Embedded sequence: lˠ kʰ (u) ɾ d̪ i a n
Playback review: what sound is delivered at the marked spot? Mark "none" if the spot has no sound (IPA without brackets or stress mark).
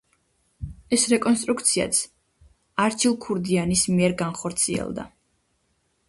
u